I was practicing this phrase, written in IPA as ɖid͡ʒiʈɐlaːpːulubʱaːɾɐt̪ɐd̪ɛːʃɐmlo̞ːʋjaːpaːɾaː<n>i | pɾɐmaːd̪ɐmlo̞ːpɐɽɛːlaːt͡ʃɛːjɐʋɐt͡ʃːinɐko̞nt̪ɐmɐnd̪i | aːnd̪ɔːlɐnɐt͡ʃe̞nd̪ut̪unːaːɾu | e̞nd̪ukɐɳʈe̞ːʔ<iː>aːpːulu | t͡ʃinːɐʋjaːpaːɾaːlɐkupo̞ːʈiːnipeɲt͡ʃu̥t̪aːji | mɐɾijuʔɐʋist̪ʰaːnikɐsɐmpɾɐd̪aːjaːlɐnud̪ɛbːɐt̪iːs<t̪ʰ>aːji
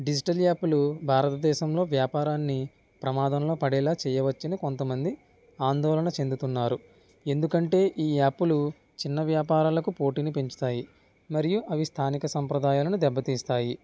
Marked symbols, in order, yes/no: no, yes, no

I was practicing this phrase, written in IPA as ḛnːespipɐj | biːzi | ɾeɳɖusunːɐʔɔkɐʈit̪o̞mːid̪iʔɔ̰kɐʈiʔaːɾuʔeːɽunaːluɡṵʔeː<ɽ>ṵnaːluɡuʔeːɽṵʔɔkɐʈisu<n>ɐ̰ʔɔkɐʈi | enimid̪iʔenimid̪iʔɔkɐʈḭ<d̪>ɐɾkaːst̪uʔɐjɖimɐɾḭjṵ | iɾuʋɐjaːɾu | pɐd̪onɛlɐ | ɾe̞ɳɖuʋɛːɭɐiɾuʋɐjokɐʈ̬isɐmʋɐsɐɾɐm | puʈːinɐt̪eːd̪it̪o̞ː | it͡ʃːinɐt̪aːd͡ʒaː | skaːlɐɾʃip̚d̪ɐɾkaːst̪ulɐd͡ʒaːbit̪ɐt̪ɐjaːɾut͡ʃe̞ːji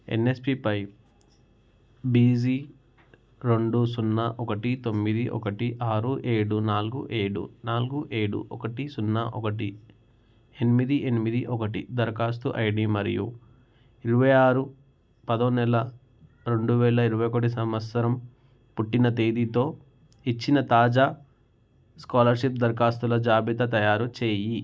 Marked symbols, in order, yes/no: yes, no, yes

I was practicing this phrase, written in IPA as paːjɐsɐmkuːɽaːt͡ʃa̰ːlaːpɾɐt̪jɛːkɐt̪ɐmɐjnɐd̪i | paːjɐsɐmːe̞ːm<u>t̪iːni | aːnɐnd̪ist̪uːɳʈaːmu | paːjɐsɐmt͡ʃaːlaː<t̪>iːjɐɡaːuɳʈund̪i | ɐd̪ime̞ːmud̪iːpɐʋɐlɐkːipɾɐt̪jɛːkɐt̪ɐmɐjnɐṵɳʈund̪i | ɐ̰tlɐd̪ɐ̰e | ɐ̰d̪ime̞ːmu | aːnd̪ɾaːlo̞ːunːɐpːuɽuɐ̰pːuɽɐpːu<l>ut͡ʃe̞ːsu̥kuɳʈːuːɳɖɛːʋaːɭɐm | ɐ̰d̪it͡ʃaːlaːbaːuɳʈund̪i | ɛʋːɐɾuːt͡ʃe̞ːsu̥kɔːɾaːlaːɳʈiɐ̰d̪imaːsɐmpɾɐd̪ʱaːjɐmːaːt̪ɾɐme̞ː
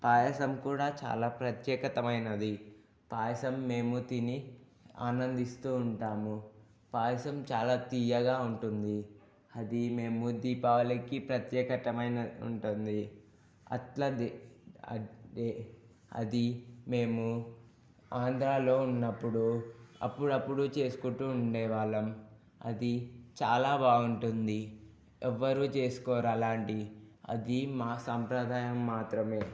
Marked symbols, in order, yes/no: yes, yes, no

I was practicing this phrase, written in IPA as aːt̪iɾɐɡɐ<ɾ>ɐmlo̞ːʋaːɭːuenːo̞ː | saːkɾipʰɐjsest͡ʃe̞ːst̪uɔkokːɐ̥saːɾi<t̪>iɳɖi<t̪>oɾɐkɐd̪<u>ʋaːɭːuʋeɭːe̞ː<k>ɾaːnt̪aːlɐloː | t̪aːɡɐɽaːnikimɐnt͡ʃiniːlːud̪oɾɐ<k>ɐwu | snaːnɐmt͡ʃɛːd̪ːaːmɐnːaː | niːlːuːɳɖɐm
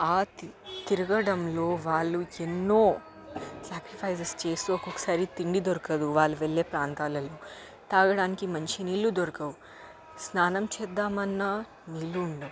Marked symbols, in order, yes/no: no, yes, no, yes, no, yes

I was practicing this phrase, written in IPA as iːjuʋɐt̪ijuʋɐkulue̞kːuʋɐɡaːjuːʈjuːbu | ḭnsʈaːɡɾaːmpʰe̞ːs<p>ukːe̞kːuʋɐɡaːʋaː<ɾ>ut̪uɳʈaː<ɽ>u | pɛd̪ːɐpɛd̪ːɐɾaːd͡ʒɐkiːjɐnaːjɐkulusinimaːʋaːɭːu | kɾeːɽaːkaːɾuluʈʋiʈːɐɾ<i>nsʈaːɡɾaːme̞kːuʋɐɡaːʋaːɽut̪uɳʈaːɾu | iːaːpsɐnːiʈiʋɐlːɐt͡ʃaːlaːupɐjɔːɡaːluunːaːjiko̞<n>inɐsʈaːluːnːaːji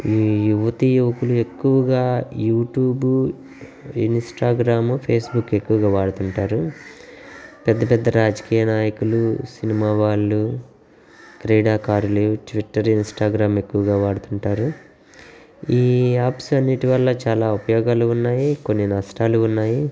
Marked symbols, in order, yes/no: no, no, no, yes, no

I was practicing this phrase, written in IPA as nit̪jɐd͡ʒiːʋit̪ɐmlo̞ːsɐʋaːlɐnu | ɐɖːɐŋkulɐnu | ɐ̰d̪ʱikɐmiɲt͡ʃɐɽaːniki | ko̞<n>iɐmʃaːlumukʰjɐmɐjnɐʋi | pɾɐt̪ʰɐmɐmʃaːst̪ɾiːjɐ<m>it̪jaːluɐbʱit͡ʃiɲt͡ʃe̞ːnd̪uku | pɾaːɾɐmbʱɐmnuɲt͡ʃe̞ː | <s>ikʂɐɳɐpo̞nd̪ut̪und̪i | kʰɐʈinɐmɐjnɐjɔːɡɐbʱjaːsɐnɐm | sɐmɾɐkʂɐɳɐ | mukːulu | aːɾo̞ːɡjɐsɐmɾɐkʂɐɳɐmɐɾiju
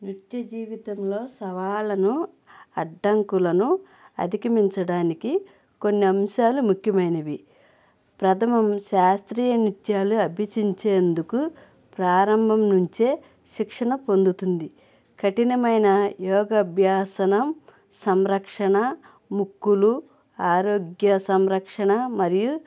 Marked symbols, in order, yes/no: no, no, no

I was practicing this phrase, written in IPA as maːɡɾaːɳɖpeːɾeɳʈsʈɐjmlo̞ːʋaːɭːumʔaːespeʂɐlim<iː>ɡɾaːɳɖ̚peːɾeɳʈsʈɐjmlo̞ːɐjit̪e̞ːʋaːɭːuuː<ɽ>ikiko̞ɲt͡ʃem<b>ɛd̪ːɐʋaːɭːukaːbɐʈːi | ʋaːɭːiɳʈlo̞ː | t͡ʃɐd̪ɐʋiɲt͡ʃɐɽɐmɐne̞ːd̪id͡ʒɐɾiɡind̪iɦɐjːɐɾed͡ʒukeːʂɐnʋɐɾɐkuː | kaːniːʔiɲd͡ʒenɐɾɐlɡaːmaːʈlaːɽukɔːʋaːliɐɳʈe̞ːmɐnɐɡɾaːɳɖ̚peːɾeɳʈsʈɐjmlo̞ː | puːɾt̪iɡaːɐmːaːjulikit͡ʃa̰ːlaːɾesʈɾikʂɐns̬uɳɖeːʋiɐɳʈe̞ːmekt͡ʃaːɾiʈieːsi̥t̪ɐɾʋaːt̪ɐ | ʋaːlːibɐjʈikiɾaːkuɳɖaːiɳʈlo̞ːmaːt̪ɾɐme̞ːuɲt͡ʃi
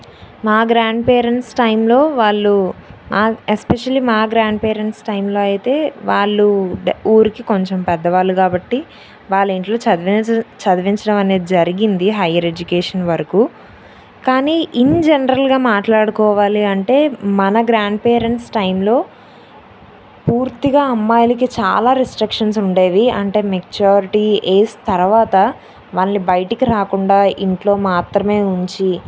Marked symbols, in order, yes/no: no, no, no

